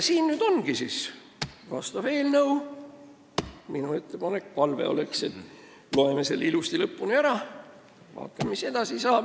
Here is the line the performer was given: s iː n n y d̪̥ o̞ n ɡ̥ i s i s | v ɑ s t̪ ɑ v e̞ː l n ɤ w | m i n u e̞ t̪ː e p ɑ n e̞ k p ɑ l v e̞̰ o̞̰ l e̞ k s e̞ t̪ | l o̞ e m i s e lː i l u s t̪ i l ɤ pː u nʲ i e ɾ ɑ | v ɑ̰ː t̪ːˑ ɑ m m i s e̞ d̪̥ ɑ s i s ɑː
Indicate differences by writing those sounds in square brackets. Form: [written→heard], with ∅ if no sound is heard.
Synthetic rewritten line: s iː n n y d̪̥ o̞ n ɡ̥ i s i s | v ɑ s t̪ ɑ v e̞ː l n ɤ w | m i n u e̞ t̪ː e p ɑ n e̞ k p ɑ l v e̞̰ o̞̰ l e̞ k s e̞ t̪ | l o̞ e m [i→e] s e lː i l u s t̪ i l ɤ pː u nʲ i [e→æ] ɾ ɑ | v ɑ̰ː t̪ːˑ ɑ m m i s e̞ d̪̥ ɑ s i s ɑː